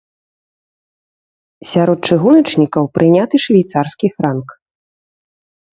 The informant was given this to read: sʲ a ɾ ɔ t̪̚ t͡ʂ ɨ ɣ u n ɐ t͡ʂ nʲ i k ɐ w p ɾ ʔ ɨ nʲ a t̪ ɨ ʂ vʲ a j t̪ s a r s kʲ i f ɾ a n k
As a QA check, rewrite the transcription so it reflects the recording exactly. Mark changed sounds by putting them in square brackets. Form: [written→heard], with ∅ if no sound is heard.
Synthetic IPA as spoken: sʲ a ɾ ɔ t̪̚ t͡ʂ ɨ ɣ u n ɐ t͡ʂ nʲ i k ɐ w p ɾ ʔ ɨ nʲ a t̪ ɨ ʂ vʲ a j t̪ s a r s kʲ i f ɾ a n k